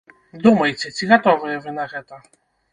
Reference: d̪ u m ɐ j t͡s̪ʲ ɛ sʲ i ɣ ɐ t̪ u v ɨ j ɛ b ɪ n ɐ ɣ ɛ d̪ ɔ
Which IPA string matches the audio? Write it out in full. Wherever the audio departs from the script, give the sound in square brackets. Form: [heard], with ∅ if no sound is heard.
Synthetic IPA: d̪ u m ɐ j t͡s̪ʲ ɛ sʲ i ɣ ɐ t̪ [ɔ] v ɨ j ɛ [v] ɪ n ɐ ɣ ɛ [t̪] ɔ